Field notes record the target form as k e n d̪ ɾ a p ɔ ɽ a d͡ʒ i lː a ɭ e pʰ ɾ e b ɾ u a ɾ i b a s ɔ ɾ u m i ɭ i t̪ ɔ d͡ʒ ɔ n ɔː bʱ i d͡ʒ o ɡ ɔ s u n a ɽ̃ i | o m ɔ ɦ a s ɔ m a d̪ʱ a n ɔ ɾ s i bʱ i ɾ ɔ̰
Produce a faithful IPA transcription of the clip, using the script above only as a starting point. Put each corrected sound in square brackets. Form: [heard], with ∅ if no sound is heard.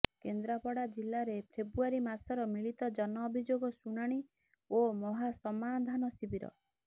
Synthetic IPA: k e n d̪ ɾ a p ɔ ɽ a d͡ʒ i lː a [ɾ] e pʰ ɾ e b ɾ u a ɾ i [m] a s ɔ ɾ [ɔ] m i ɭ i t̪ ɔ d͡ʒ ɔ n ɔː bʱ i d͡ʒ o ɡ ɔ s u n a ɽ̃ i | o m ɔ ɦ a s ɔ m a d̪ʱ a n ɔ [∅] s i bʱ i ɾ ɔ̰